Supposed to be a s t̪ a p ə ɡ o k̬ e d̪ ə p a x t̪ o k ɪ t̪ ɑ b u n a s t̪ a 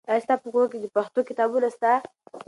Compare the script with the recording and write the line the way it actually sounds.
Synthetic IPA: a s t̪ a p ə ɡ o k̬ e d̪ ə p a x t̪ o k ɪ t̪ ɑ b u n a s t̪ a